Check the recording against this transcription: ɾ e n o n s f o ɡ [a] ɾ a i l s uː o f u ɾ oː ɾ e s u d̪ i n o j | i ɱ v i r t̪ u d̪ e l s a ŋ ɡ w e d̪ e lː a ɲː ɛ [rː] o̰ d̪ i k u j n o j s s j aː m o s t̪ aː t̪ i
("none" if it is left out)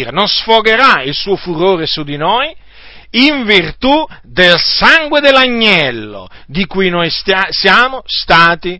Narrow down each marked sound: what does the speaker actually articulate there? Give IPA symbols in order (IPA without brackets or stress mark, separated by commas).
e, lː